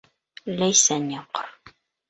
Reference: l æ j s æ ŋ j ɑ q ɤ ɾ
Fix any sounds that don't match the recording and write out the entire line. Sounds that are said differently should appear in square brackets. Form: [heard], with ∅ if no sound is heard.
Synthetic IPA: l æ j s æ [n] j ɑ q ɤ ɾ